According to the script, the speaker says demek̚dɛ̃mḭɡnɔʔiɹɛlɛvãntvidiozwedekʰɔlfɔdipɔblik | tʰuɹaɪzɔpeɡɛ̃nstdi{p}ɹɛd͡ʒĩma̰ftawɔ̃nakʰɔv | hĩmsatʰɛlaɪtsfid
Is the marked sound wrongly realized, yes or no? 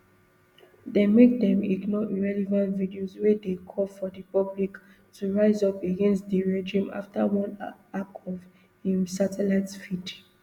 yes